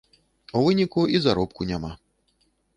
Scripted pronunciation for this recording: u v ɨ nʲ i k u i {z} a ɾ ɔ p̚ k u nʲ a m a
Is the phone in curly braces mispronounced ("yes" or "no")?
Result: no